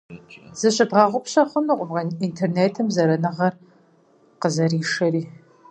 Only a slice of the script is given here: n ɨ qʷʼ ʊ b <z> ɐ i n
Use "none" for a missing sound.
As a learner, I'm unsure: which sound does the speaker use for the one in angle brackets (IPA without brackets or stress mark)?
ʁ